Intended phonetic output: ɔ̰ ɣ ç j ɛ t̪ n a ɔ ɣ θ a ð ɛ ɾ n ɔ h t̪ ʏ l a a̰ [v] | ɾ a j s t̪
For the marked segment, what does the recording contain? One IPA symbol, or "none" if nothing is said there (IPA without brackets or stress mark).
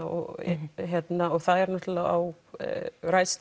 w